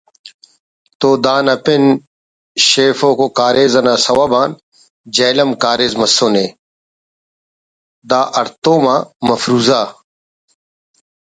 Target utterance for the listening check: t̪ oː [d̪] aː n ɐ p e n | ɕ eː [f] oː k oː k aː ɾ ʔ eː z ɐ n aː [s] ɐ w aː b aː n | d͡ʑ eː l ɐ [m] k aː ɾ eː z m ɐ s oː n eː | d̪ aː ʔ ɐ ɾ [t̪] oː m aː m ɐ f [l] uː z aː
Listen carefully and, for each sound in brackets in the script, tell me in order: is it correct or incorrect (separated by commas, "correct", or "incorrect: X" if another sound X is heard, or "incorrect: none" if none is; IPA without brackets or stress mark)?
correct, correct, correct, correct, correct, incorrect: ɾ